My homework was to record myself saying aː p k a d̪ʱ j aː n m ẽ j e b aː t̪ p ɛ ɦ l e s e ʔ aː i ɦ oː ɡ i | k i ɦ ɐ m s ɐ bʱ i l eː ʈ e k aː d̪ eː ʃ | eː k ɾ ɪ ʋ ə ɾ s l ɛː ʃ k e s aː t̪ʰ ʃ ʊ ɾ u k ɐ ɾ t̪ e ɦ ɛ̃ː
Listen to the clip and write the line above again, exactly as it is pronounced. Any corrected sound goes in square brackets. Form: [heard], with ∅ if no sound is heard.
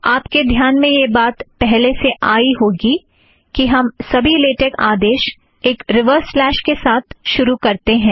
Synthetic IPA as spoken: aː p k [e] d̪ʱ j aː n m ẽ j e b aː t̪ p ɛ ɦ l e s e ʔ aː i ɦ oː ɡ i | k i ɦ ɐ m s ɐ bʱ i l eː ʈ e k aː d̪ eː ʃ | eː k ɾ ɪ ʋ ə ɾ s l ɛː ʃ k e s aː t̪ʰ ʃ ʊ ɾ u k ɐ ɾ t̪ e ɦ ɛ̃ː